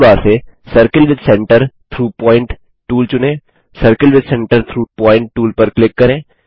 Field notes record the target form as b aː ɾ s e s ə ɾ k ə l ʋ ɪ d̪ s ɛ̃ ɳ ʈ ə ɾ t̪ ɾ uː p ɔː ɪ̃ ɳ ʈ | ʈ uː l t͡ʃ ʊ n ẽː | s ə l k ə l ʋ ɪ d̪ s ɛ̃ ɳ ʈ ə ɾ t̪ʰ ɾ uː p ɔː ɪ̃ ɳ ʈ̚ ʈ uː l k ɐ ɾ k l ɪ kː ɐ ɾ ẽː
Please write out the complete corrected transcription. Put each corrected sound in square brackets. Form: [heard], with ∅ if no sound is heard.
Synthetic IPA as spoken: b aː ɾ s e s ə ɾ k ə l ʋ ɪ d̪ s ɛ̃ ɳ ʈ ə ɾ [t̪ʰ] ɾ uː p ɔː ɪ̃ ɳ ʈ | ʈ uː l t͡ʃ ʊ n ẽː | s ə [ɾ] k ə l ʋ ɪ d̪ s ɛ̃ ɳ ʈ ə ɾ t̪ʰ ɾ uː p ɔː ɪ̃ ɳ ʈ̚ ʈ uː l [p] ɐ ɾ k l ɪ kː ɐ ɾ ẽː